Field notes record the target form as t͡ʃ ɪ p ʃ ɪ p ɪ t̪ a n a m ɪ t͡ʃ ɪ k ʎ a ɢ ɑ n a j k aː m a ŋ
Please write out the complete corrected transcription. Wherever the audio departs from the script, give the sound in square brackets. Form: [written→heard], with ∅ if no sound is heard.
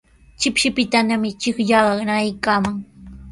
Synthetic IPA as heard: t͡ʃ ɪ p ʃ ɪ p ɪ t̪ a n a m ɪ t͡ʃ ɪ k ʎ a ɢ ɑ n a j k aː m a ŋ

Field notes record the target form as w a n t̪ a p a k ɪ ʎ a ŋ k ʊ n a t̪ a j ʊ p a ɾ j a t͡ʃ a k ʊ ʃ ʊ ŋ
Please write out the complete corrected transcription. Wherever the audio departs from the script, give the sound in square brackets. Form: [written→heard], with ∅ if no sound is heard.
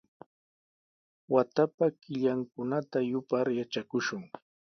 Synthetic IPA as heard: w a [n→∅] t̪ a p a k ɪ ʎ a ŋ k ʊ n a t̪ a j ʊ p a ɾ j a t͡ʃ a k ʊ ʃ ʊ ŋ

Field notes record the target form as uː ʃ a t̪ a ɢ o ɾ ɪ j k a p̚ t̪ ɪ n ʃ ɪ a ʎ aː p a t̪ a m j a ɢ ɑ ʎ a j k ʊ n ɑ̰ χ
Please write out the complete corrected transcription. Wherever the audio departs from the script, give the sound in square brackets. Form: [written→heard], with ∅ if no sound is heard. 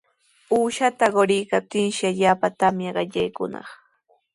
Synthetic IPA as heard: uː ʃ a t̪ a ɢ o ɾ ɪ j k a p̚ t̪ ɪ n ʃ ɪ a ʎ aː p a t̪ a m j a ɢ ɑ ʎ a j k ʊ n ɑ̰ χ

